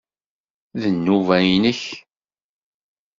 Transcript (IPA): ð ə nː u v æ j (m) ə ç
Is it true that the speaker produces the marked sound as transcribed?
no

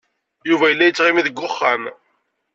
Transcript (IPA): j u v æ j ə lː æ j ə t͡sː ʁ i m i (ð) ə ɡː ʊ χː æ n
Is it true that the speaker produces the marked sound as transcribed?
yes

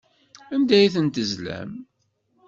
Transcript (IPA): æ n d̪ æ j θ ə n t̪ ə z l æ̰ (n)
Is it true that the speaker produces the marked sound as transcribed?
no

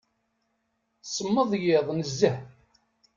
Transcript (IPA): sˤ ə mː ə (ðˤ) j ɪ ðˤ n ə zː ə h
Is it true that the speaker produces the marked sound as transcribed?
yes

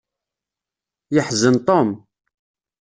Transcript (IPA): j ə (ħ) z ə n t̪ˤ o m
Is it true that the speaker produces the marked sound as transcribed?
yes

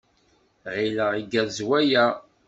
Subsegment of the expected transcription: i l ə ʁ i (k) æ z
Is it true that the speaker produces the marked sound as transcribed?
no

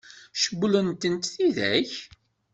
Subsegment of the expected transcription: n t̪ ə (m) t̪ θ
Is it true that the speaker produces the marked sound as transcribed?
no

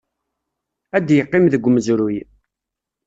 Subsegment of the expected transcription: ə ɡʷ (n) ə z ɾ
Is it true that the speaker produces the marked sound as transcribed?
no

